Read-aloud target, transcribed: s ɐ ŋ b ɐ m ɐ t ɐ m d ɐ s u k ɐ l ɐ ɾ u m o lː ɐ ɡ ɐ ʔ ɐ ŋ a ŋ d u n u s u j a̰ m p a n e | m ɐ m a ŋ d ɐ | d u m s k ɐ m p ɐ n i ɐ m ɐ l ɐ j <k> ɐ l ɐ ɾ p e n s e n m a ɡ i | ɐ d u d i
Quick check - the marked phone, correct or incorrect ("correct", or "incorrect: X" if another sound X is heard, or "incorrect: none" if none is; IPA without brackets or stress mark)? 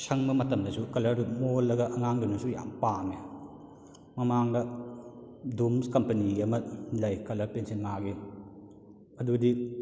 correct